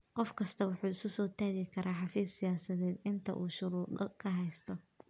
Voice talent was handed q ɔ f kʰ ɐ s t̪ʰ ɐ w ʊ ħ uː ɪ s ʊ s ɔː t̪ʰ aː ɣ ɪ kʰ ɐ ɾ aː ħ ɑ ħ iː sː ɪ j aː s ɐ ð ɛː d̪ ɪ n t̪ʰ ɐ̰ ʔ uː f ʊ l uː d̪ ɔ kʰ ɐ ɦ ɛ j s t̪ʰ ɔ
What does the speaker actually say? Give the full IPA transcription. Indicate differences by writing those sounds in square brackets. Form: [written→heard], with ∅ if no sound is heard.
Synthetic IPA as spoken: q ɔ f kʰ ɐ s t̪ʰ ɐ w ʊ ħ uː ɪ s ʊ s ɔː t̪ʰ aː ɣ ɪ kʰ ɐ ɾ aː ħ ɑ [ħ→f] iː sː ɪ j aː s ɐ ð ɛː d̪ ɪ n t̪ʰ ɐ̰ ʔ uː [f→ʃ] ʊ [l→ɾ] uː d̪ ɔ kʰ ɐ ɦ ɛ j s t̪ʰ ɔ